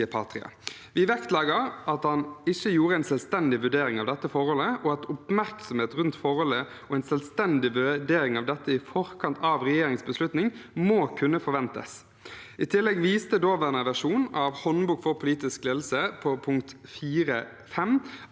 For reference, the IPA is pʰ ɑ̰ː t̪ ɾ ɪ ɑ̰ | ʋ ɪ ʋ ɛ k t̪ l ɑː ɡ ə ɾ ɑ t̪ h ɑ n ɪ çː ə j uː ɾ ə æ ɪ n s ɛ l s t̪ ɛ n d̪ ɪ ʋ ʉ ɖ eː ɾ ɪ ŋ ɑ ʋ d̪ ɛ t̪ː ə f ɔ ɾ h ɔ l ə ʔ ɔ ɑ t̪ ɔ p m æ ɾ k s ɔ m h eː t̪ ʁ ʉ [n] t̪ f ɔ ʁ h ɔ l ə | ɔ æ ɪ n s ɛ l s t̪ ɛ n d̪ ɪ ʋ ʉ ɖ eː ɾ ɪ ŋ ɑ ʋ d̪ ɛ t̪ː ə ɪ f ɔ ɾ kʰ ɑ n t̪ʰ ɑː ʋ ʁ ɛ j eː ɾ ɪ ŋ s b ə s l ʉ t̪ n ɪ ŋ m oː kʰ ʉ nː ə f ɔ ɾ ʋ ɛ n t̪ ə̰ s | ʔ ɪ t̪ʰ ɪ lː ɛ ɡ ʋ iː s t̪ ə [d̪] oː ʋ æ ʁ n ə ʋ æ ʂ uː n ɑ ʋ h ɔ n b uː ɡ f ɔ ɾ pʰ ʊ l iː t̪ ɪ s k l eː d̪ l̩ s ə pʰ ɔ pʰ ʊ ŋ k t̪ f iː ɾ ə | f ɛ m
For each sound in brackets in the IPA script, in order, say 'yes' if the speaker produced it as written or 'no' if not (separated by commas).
yes, yes